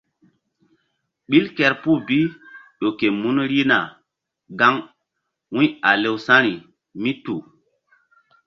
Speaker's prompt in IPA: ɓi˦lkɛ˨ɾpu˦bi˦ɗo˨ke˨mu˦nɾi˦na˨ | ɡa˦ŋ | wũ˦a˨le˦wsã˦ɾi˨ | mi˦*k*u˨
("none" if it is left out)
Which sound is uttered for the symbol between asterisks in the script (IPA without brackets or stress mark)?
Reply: t